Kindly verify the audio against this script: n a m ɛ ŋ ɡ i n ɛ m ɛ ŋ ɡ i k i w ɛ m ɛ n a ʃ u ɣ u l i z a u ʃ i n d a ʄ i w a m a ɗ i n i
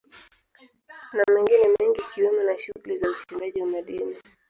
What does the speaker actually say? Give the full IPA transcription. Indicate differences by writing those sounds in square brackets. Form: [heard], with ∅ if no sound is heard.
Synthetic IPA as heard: n a m ɛ ŋ ɡ i n ɛ m ɛ ŋ ɡ i k i w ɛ m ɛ n a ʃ u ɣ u l i z a u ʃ i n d a ʄ i w a m a ɗ i n i